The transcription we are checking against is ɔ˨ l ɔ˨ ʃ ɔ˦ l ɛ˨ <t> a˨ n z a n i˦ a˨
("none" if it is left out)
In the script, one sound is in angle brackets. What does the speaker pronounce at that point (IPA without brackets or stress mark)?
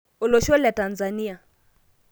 t